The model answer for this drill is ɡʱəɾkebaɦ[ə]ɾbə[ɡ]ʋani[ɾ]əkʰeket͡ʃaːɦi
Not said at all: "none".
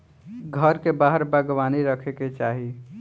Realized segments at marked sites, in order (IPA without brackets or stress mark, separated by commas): ə, ɡ, ɾ